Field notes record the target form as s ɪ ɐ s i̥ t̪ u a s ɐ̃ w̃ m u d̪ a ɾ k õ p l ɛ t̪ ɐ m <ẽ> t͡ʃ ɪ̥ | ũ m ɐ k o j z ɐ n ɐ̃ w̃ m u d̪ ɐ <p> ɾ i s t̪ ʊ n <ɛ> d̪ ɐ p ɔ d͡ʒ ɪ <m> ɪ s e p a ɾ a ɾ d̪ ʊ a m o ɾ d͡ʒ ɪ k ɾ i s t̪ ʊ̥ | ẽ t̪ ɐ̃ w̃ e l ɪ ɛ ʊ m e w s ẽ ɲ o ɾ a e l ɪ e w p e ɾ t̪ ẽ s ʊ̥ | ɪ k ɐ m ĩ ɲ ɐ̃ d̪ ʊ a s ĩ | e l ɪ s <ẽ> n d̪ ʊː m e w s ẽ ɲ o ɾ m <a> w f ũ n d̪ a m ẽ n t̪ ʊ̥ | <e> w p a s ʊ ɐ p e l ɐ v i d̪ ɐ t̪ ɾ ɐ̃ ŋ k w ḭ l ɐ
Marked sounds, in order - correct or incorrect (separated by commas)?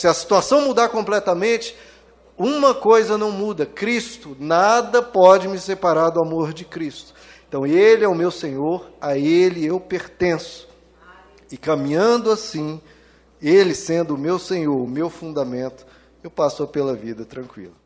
correct, incorrect, incorrect, correct, correct, incorrect, correct